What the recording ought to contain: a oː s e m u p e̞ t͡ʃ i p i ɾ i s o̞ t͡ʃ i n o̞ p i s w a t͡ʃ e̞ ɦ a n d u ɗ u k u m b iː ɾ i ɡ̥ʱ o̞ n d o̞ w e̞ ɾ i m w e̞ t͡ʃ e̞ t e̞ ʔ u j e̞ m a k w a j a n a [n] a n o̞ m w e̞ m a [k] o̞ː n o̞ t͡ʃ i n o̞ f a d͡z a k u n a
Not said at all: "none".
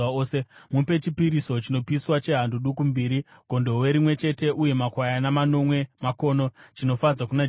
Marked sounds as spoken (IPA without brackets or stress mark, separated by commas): m, k